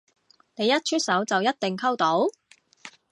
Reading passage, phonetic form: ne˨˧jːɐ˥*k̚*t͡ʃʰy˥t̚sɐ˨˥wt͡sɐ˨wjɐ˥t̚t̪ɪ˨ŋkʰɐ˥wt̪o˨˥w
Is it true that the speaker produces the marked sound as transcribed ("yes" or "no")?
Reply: no